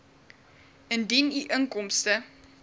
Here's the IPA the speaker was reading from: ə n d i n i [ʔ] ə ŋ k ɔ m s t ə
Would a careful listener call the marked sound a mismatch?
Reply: no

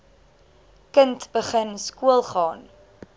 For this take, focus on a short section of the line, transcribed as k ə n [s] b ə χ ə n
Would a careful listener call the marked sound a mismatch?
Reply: yes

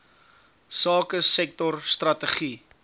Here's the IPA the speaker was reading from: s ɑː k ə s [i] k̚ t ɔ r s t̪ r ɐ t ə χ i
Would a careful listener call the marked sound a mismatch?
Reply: yes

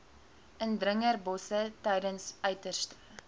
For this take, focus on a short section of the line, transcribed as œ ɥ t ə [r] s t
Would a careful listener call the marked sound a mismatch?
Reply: no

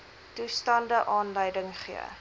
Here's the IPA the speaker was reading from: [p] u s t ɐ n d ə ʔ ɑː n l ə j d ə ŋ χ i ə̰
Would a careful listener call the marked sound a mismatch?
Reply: yes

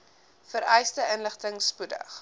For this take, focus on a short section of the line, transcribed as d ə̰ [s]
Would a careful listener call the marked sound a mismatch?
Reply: yes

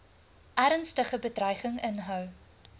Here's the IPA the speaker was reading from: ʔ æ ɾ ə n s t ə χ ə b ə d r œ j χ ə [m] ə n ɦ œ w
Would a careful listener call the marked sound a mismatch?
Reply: yes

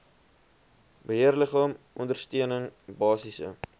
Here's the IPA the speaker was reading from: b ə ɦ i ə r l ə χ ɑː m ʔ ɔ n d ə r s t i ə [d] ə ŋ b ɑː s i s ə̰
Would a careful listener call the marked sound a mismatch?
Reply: yes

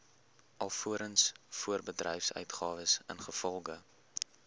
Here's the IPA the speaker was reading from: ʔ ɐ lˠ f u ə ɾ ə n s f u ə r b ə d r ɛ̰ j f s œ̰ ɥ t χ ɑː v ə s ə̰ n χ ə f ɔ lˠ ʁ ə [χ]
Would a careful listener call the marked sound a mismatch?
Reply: yes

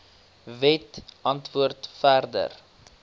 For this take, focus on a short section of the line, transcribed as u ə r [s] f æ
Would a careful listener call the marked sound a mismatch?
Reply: yes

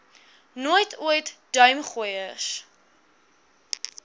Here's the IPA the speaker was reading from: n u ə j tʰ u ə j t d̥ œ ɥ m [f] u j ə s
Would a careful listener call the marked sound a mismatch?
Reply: yes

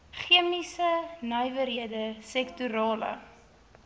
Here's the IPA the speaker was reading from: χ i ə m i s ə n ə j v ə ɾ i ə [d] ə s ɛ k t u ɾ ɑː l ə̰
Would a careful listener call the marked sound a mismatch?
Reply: no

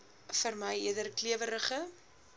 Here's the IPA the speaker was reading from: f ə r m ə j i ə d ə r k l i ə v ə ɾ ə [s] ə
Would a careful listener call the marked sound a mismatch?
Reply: yes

